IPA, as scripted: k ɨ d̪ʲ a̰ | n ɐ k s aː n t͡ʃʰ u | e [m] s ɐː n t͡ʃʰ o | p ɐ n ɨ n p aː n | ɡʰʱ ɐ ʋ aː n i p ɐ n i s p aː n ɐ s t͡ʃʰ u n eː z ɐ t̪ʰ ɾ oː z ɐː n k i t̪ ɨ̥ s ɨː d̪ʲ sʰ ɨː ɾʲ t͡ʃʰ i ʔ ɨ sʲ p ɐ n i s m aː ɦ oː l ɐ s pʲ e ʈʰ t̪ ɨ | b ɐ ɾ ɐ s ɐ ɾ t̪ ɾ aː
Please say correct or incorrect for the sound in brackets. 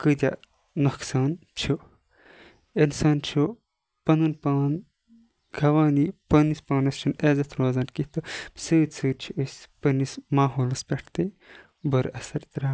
incorrect